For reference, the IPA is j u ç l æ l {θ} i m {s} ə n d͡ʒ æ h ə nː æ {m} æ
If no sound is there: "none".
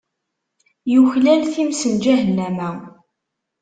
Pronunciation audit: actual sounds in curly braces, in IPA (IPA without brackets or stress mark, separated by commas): θ, s, m